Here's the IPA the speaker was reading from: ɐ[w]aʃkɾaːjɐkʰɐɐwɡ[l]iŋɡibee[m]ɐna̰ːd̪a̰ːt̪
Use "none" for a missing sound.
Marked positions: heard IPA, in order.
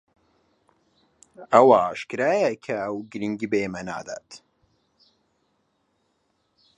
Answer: w, ɾ, m

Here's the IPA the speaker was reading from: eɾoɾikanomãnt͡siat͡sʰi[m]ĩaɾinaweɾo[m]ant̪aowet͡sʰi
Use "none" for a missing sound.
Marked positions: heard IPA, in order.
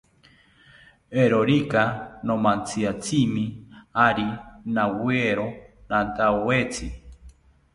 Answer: m, n

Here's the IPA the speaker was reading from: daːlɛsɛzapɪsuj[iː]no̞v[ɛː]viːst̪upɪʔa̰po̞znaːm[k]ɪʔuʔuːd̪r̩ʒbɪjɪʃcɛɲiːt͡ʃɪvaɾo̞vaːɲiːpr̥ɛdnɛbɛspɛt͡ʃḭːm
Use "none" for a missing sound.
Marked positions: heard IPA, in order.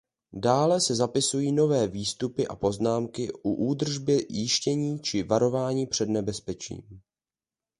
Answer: iː, ɛː, k

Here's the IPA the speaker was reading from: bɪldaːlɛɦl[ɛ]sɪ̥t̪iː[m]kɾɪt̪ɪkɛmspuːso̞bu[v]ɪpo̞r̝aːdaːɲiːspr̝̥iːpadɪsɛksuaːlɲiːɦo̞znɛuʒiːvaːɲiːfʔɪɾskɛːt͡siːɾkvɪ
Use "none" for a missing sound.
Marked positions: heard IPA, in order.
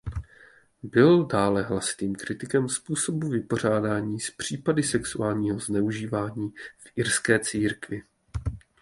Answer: a, m, v

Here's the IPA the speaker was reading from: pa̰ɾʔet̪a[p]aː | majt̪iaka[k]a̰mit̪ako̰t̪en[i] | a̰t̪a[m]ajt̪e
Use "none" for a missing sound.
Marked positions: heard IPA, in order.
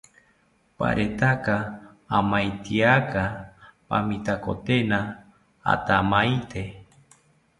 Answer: k, p, a, m

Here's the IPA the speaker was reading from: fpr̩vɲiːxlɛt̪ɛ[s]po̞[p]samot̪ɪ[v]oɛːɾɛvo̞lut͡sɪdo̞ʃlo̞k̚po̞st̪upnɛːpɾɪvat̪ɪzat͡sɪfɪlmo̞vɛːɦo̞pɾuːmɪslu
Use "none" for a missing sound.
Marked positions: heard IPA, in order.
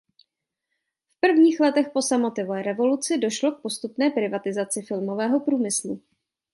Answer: x, none, v

